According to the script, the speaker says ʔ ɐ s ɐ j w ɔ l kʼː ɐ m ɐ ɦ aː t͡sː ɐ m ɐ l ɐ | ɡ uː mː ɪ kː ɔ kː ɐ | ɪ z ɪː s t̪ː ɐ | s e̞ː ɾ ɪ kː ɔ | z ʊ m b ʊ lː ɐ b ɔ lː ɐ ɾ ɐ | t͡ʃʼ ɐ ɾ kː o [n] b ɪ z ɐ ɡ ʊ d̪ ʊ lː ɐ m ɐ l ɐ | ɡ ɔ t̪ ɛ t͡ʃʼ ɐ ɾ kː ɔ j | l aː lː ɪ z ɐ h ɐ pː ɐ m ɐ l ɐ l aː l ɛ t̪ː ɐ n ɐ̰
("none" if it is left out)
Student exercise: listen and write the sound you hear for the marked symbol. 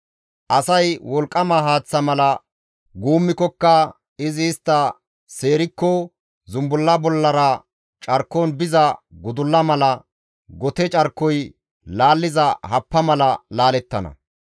n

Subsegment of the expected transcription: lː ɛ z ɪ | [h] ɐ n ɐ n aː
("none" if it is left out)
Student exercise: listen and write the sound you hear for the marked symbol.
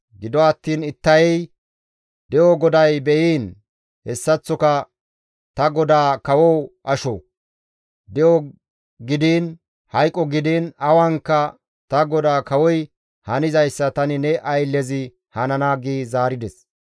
h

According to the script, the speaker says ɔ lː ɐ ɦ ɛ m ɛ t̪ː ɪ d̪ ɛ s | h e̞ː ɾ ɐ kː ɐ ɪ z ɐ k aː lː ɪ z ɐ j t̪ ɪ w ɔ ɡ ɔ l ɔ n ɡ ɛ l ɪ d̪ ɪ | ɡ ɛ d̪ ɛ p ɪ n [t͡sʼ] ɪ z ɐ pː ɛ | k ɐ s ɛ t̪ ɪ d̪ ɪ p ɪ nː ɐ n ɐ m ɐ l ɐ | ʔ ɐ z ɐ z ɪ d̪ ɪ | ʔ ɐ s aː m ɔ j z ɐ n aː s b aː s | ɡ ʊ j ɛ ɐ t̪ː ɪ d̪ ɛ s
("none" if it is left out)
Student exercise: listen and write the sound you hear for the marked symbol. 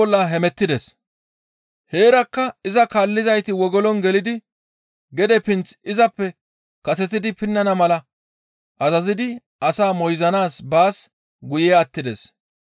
t͡s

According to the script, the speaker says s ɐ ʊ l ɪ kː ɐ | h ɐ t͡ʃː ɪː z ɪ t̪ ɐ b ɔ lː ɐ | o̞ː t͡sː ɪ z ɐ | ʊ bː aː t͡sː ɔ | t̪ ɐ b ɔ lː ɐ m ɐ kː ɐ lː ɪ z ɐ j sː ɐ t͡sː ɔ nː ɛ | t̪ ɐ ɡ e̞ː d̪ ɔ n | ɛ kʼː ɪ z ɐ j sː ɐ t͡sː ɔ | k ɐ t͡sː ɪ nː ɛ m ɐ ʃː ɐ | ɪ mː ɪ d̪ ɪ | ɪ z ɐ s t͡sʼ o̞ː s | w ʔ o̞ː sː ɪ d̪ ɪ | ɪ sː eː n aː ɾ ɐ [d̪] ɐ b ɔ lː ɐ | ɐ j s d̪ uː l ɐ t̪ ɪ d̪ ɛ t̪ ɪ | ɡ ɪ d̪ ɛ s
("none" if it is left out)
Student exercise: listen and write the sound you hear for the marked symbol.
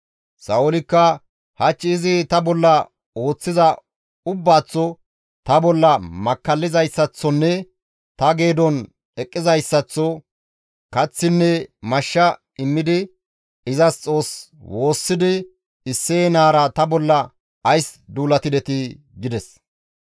t̪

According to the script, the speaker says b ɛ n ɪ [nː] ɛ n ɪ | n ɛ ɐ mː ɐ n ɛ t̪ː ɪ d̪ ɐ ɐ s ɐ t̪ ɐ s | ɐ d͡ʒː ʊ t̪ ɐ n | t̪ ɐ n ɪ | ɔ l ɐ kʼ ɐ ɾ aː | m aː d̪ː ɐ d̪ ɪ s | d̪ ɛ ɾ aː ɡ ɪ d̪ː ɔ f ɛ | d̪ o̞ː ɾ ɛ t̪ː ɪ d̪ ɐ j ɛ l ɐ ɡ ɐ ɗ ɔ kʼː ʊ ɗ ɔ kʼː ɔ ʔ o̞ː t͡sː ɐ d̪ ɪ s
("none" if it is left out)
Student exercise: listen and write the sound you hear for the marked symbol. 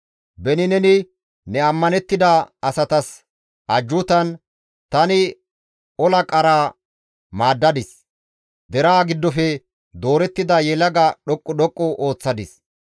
n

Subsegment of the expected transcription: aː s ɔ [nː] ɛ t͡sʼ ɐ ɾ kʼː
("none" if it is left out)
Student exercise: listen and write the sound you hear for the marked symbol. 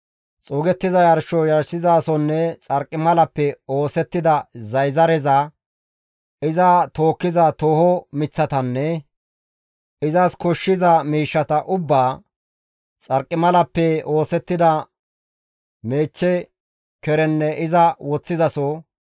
nː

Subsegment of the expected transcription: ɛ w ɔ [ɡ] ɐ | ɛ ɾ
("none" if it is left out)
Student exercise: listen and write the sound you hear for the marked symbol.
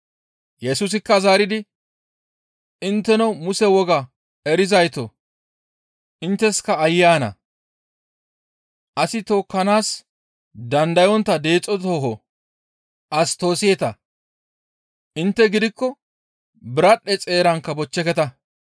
ɡ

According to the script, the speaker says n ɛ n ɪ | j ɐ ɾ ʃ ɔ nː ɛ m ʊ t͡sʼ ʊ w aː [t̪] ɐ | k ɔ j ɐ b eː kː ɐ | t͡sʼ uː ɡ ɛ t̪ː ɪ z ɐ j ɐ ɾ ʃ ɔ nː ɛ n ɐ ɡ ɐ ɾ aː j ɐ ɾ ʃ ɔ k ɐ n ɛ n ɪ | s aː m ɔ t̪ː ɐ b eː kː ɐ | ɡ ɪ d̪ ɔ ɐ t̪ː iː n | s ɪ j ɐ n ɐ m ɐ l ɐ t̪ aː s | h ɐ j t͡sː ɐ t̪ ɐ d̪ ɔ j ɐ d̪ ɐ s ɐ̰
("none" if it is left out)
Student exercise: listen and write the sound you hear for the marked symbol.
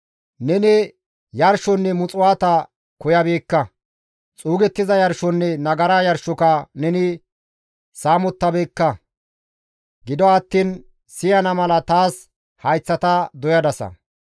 t̪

